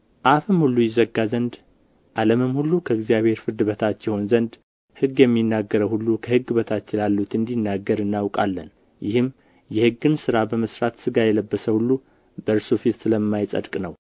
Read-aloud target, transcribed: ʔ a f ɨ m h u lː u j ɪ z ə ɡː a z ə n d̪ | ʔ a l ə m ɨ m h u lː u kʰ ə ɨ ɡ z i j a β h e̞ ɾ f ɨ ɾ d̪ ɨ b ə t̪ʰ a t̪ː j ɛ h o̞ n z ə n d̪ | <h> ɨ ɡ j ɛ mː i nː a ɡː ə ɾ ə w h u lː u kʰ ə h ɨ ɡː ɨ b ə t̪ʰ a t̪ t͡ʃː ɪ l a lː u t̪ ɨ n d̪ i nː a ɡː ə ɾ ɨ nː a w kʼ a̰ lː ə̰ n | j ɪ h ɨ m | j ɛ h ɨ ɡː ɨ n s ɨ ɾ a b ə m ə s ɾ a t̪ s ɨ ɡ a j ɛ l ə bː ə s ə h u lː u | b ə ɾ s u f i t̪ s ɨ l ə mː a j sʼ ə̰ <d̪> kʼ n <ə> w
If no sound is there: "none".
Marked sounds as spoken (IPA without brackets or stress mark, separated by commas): h, d̪, ə